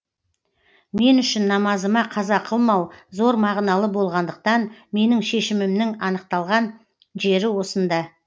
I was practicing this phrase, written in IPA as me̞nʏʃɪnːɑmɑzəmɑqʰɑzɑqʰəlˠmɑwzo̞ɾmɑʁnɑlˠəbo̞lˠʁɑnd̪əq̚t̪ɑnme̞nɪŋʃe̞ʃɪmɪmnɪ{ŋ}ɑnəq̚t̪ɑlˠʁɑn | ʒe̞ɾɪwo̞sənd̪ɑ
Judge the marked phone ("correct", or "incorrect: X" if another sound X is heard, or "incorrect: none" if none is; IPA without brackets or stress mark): correct